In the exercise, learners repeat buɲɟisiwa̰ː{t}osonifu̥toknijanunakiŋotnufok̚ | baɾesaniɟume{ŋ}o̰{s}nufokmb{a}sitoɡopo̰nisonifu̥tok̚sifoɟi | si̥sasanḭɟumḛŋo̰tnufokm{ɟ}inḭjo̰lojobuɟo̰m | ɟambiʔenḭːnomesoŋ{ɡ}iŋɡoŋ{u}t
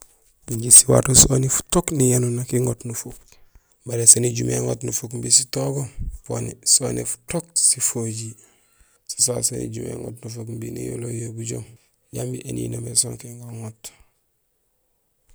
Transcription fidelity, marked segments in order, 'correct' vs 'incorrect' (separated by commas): correct, correct, incorrect, incorrect, incorrect, incorrect, incorrect